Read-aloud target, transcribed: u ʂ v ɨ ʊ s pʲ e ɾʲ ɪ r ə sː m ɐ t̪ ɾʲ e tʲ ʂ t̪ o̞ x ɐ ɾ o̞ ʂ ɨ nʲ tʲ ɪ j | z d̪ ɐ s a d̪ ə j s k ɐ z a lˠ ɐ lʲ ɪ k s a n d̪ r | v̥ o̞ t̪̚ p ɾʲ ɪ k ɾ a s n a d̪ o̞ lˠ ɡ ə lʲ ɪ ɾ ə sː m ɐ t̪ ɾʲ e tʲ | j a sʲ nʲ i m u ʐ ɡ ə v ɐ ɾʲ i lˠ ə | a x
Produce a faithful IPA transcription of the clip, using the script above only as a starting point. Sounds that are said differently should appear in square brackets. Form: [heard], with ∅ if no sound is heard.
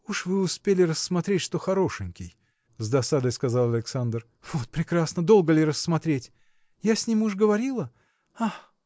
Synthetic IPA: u ʂ v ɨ ʊ s pʲ e [lʲ] ɪ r ə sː m ɐ t̪ ɾʲ e tʲ ʂ t̪ o̞ x ɐ ɾ o̞ ʂ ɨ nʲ [kʲ] ɪ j | z d̪ ɐ s a d̪ ə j s k ɐ z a lˠ ɐ lʲ ɪ k s a n d̪ r | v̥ o̞ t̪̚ p ɾʲ ɪ k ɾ a s n [ə] d̪ o̞ lˠ ɡ ə lʲ ɪ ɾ ə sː m ɐ t̪ ɾʲ e tʲ | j a sʲ nʲ i m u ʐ ɡ ə v ɐ ɾʲ i lˠ ə | a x

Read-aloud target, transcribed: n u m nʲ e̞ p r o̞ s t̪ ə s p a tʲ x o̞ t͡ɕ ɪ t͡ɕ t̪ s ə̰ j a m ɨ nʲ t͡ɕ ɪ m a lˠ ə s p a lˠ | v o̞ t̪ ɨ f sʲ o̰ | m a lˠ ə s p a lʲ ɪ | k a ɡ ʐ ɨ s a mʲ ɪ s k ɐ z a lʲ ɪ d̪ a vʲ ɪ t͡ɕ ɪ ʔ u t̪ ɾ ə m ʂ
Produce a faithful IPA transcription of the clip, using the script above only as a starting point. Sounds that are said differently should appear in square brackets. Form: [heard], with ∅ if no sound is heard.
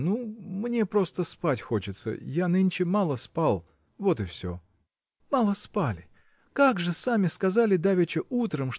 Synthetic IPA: n u m nʲ e̞ p [ɾ] o̞ s t̪ ə s p a tʲ x o̞ t͡ɕ ɪ [∅] t̪ s ə̰ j a [n] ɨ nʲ t͡ɕ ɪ m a lˠ ə s p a lˠ | v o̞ t̪ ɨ f sʲ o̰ | m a lˠ ə s p a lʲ ɪ | k a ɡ ʐ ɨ s a mʲ ɪ s k ɐ z a lʲ ɪ d̪ a vʲ ɪ t͡ɕ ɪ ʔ u t̪ ɾ ə m ʂ

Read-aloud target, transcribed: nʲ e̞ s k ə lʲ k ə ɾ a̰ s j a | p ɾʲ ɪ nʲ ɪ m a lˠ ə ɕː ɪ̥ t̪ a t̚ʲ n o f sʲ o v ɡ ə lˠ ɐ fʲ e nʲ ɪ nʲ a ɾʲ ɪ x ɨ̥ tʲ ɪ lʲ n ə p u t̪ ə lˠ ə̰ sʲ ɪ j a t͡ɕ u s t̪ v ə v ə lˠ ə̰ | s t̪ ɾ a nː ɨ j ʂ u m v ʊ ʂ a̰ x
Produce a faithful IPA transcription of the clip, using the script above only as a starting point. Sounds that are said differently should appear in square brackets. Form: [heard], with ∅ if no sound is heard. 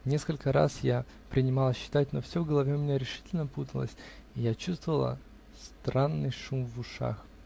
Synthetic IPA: nʲ e̞ s k ə lʲ k ə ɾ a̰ s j a | p ɾʲ ɪ nʲ ɪ m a lˠ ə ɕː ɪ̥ t̪ a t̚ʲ n o f sʲ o v ɡ ə lˠ ɐ [vʲ] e [mʲ] ɪ nʲ a ɾʲ ɪ [ʂ] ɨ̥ tʲ ɪ lʲ n ə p u t̪ ə lˠ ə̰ sʲ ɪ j a t͡ɕ u s t̪ v ə v ə lˠ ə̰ | s t̪ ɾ a nː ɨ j ʂ u m v ʊ ʂ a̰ x

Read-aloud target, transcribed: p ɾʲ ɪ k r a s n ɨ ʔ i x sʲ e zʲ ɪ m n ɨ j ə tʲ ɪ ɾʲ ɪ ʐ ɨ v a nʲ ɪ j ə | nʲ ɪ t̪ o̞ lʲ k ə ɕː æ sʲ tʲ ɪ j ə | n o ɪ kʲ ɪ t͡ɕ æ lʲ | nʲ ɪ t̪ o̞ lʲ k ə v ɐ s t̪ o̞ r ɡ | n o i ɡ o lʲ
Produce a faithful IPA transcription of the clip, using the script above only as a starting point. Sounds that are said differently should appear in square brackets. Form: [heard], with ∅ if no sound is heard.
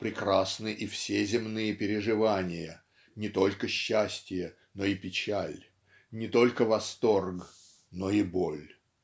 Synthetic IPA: p ɾʲ ɪ k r a s n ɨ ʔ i [f] sʲ e zʲ ɪ m n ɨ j ə [pʲ] ɪ ɾʲ ɪ ʐ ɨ v a nʲ ɪ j ə | nʲ ɪ t̪ o̞ lʲ k ə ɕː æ sʲ tʲ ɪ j ə | n o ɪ [pʲ] ɪ t͡ɕ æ lʲ | nʲ ɪ t̪ o̞ lʲ k ə v ɐ s t̪ o̞ r ɡ | n o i [b] o lʲ

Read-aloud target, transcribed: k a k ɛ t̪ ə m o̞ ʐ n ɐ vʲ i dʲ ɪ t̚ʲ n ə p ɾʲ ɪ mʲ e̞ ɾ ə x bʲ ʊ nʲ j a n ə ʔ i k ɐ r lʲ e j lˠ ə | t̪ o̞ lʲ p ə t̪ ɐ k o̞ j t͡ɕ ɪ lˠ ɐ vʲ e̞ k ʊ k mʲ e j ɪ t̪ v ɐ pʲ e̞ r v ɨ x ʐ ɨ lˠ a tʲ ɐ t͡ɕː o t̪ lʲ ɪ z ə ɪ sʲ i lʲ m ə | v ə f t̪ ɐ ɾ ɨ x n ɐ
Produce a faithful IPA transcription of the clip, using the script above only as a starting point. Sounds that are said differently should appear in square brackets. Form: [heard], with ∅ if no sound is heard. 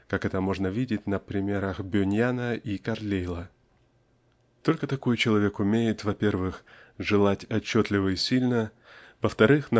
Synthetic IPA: k a k ɛ t̪ ə m o̞ ʐ n [ə] vʲ i dʲ ɪ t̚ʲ n ə p ɾʲ ɪ mʲ e̞ ɾ ə x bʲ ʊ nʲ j a n ə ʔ i k ɐ r lʲ e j lˠ ə | t̪ o̞ lʲ [k] ə t̪ ɐ k o̞ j t͡ɕ ɪ lˠ ɐ vʲ e̞ k ʊ [∅] mʲ e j ɪ t̪ v ɐ pʲ e̞ r v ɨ x ʐ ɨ lˠ a tʲ ɐ t͡ɕː o t̪ lʲ ɪ [v] ə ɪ sʲ i lʲ [n] ə | v ə f t̪ ɐ ɾ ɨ x n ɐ

